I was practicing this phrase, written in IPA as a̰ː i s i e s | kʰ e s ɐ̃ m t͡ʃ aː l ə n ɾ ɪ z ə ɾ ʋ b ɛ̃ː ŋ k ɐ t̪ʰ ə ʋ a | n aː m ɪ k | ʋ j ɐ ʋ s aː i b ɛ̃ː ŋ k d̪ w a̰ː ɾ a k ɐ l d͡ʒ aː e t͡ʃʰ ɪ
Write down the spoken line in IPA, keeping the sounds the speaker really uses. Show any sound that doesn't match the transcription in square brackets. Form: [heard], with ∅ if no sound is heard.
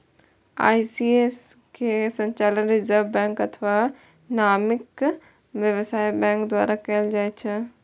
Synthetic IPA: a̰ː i s i e s | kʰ e s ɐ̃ [ɲ] t͡ʃ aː l ə n ɾ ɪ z ə ɾ ʋ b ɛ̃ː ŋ k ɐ t̪ʰ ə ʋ a | n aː m ɪ k | ʋ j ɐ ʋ s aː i b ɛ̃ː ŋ k d̪ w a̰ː ɾ a k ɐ l d͡ʒ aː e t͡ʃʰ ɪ